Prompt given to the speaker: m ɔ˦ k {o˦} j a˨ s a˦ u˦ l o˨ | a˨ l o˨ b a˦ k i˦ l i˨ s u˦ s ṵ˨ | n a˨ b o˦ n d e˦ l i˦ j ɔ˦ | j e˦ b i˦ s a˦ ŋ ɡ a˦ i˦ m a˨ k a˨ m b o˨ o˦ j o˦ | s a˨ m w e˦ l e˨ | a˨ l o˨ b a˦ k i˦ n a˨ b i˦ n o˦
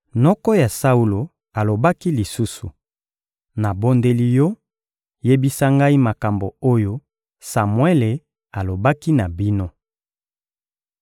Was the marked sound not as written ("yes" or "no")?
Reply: yes